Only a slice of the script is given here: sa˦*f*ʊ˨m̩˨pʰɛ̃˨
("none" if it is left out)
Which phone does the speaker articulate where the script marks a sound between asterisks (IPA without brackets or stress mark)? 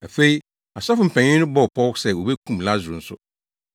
f